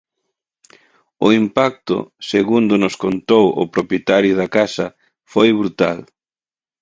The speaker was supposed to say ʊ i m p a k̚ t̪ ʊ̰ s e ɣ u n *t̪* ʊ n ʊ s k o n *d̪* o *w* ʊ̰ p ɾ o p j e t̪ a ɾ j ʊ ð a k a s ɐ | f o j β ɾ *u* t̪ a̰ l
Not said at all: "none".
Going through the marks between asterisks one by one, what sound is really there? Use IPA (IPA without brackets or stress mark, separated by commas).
d̪, t̪, w, u